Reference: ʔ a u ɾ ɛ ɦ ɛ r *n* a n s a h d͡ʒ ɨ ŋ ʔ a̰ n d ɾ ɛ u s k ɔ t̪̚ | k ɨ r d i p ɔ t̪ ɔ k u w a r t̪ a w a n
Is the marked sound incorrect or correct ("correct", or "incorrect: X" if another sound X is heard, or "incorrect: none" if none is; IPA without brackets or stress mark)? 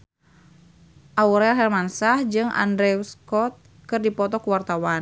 incorrect: m